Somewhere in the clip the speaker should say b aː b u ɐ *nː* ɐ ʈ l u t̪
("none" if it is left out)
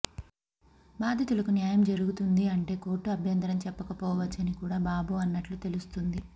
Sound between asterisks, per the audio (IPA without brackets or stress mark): nː